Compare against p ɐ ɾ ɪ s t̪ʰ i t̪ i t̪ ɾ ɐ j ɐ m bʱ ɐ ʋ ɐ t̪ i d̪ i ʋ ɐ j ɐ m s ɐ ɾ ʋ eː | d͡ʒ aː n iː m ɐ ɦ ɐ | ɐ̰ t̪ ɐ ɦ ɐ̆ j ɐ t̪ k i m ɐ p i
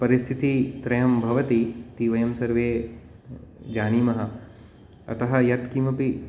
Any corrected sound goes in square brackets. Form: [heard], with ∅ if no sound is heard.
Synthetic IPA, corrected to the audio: p ɐ ɾ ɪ s t̪ʰ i t̪ i t̪ ɾ ɐ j ɐ m bʱ ɐ ʋ ɐ t̪ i [t̪] i ʋ ɐ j ɐ m s ɐ ɾ ʋ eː | d͡ʒ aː n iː m ɐ ɦ ɐ | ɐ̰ t̪ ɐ ɦ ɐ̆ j ɐ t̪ k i m ɐ p i